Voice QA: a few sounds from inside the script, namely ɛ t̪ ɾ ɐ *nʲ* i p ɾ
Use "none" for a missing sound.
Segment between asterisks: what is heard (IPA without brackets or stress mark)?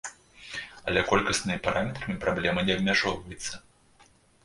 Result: mʲ